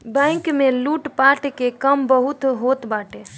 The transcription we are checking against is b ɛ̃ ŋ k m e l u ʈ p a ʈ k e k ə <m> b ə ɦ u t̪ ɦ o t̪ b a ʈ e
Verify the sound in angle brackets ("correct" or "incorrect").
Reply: correct